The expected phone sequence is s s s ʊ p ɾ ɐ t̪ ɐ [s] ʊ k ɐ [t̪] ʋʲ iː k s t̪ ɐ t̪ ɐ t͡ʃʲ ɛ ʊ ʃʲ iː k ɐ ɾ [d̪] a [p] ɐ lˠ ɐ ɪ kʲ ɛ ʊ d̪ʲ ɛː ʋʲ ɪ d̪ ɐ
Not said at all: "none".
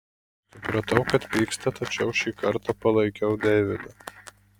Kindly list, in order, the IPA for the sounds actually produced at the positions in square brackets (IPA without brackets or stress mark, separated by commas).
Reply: none, t̪, t̪, p